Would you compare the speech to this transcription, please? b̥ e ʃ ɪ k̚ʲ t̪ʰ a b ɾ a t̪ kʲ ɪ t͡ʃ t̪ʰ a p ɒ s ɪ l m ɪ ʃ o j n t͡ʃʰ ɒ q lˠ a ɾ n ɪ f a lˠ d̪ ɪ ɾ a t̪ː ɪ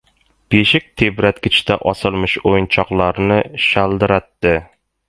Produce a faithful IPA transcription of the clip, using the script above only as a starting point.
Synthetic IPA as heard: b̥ e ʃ ɪ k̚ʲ t̪ʰ e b ɾ a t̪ kʲ ɪ t͡ʃ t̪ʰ a ʔ ɒ s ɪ l m ɪ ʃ o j n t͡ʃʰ ɒ q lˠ a ɾ n ɪ ʃ a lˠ d̪ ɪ ɾ a t̪ː ɪ